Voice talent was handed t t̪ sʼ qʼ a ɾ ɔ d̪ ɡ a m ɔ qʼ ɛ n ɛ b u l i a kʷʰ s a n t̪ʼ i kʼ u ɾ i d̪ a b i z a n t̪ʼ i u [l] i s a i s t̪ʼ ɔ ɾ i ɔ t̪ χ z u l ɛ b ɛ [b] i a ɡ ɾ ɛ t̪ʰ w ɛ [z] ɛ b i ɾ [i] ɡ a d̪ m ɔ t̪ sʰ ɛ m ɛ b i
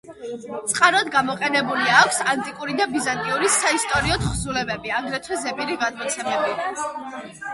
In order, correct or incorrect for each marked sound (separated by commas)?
incorrect, correct, correct, correct